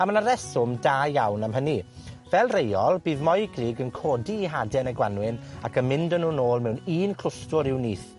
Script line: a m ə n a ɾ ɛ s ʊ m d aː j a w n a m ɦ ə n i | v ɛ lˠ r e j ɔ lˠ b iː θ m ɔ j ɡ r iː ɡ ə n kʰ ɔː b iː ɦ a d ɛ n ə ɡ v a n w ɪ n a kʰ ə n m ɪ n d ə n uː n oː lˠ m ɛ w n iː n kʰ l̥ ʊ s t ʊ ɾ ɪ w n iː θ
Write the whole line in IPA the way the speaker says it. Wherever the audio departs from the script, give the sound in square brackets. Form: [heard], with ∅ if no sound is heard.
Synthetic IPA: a m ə n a ɾ ɛ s ʊ m d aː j a w n a m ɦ ə n i | v ɛ lˠ r e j ɔ lˠ b iː [ð] m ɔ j ɡ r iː ɡ ə n kʰ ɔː [d] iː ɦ a d ɛ n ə ɡ [w] a n w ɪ n a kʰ ə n m ɪ n d ə n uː n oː lˠ m ɛ w n iː n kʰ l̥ ʊ s t ʊ ɾ ɪ w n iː θ